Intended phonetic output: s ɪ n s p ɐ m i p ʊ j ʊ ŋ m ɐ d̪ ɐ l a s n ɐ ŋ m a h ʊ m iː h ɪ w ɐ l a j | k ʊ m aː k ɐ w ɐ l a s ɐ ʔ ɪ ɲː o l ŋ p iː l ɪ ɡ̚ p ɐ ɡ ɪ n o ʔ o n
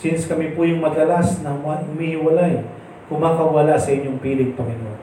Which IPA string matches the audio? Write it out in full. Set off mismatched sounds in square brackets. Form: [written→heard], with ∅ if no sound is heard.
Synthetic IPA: s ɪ n s [p→k] ɐ m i p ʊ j ʊ ŋ m ɐ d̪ ɐ l a s n ɐ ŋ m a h ʊ m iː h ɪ w ɐ l a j | k ʊ m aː k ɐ w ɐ l a s ɐ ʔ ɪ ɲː o [l→∅] ŋ p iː l ɪ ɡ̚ p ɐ [ɡ→ŋ] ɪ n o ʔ o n